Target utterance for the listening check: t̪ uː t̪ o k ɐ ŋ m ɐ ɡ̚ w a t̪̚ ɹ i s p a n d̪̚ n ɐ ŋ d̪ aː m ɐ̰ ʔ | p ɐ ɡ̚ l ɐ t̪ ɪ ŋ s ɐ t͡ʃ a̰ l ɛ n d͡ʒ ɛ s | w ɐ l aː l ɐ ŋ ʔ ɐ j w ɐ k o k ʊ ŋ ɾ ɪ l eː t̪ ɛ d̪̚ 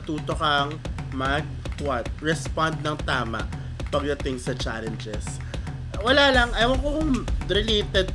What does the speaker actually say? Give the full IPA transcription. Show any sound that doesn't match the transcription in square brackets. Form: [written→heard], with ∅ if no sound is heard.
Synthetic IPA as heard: t̪ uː t̪ o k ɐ ŋ m ɐ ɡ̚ w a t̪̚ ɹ [i→ɛ] s p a n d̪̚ n ɐ ŋ [d̪→t̪] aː m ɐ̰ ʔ | p ɐ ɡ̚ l ɐ t̪ ɪ ŋ s ɐ t͡ʃ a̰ l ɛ n d͡ʒ ɛ s | w ɐ l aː l ɐ ŋ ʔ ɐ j w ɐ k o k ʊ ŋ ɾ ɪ l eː t̪ ɛ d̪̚